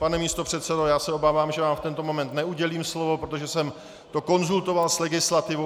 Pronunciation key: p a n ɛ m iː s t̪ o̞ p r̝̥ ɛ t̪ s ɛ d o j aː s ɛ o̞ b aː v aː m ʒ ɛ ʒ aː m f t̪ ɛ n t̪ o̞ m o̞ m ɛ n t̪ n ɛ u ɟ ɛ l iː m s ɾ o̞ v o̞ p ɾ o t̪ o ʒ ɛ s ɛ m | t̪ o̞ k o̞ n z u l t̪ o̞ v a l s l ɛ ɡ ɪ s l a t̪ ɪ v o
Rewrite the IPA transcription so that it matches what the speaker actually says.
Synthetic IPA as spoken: p a n ɛ m iː s t̪ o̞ p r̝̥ ɛ t̪ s ɛ d o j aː s ɛ o̞ b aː v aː m ʒ ɛ v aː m f t̪ ɛ n t̪ o̞ m o̞ m ɛ n t̪ n ɛ u ɟ ɛ l iː m s l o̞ v o̞ p ɾ o t̪ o ʒ ɛ s ɛ m | t̪ o̞ k o̞ n z u l t̪ o̞ v a l s l ɛ ɡ ɪ s l a t̪ ɪ v o